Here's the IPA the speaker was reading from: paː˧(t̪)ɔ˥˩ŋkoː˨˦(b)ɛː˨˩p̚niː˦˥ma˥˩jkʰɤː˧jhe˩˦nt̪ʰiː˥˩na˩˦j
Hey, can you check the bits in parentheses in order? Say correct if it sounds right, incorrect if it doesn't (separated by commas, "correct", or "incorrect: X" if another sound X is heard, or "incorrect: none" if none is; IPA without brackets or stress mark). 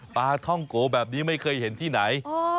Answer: incorrect: t̪ʰ, correct